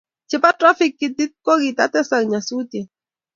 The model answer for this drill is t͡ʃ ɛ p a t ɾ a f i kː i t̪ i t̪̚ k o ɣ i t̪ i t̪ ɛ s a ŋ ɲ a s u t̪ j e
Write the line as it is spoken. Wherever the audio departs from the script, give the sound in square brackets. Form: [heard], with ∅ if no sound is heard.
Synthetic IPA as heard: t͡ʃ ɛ p a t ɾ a f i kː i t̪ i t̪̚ k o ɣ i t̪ [a] t̪ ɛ s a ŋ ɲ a s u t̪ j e